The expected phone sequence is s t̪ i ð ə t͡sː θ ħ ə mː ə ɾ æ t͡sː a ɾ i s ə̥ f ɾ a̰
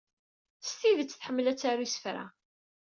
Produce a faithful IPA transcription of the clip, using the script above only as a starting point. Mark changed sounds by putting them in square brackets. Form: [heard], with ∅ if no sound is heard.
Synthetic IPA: s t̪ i ð ə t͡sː θ ħ ə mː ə [l] æ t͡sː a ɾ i s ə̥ f ɾ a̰

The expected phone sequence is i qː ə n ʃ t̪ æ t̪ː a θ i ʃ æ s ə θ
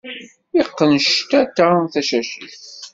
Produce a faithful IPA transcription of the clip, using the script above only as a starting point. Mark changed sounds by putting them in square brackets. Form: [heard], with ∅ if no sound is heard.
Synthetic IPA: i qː ə n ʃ t̪ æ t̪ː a θ [æ] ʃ æ [ʃ] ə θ

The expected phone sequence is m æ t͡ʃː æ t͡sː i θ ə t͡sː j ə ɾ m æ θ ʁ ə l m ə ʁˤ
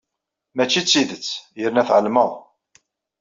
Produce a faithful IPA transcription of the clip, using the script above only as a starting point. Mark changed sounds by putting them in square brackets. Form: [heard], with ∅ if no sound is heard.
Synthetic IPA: m æ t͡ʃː [i] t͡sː i [ð] ə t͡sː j ə ɾ [n] æ θ [ʕ] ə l m ə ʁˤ

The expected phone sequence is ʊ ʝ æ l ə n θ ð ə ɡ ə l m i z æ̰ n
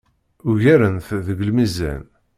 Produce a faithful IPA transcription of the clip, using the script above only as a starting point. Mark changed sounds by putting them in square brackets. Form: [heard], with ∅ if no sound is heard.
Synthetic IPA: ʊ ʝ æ [ɾ] ə n θ ð ə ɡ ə l m i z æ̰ n

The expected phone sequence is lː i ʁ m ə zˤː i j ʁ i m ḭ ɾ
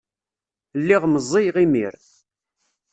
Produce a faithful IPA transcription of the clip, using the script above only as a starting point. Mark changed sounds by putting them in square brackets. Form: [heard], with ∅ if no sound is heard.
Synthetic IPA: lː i ʁ m ə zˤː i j ʁ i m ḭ ɾ

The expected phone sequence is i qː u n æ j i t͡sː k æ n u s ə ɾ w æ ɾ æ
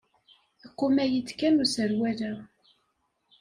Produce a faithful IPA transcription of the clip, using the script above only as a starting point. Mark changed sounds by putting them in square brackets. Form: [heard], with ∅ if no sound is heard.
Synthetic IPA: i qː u [m] æ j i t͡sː k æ n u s ə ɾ w æ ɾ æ

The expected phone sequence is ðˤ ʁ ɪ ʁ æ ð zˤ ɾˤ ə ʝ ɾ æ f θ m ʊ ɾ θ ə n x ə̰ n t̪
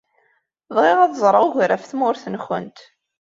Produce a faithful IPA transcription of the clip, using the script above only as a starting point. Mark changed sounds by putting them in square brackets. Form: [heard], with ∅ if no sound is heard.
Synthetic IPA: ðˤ ʁ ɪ ʁ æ ð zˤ ɾˤ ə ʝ ɾ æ f θ m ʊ ɾ θ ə n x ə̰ n t̪

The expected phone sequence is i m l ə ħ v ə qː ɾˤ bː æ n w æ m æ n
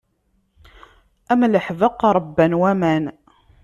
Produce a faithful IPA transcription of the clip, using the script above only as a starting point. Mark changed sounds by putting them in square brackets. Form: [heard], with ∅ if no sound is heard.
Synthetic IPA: [æ] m l ə ħ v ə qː ɾˤ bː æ n w æ m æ n

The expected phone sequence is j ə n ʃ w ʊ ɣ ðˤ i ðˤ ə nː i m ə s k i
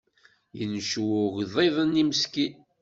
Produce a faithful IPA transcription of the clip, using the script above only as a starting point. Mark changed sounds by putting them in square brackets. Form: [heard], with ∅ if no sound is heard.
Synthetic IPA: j ə n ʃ w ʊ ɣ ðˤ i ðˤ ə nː i m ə s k i

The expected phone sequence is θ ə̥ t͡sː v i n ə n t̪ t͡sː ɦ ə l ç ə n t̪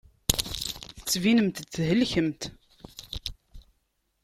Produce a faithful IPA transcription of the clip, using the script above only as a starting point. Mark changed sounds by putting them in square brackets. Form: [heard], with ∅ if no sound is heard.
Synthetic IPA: θ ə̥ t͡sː v i n ə [m] t̪ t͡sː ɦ ə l ç ə [m] t̪

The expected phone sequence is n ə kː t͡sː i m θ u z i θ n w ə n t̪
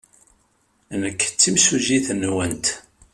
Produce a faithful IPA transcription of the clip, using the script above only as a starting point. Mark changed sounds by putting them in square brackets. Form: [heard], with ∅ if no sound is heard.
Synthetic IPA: n ə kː t͡sː i m [s] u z i θ n w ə n t̪

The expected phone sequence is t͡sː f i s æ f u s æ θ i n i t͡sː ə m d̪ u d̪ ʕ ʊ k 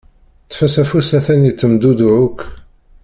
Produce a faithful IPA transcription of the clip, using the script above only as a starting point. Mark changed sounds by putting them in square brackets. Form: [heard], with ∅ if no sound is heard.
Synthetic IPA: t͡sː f [æ] s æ f u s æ θ [æ] n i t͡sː ə m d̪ u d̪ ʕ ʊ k

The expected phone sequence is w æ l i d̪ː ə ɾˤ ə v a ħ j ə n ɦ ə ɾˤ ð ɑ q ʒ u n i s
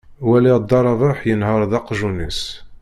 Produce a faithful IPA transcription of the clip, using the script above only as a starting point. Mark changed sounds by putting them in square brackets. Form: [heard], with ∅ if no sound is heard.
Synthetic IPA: w æ l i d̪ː [ɑ] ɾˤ [ɑ] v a ħ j ə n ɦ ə ɾˤ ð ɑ q ʒ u n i s

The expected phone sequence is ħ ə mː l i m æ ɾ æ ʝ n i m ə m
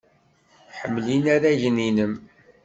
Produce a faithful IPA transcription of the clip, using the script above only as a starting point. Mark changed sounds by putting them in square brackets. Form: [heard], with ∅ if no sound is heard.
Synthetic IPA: ħ ə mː l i [n] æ ɾ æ ʝ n i [n] ə m

